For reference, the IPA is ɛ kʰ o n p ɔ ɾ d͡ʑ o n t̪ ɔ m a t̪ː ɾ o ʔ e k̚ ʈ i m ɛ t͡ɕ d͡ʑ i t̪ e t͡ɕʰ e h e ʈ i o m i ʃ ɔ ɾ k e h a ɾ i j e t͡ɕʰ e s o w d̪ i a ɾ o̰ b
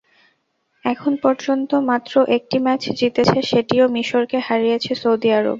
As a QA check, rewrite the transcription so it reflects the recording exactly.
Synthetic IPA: ɛ kʰ o n p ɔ ɾ d͡ʑ o n t̪ o m a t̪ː ɾ o ʔ e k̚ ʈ i m ɛ t͡ɕ d͡ʑ i t̪ e t͡ɕʰ e ʃ e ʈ i o m i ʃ o ɾ k e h a ɾ i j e t͡ɕʰ e s o w d̪ i a ɾ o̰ b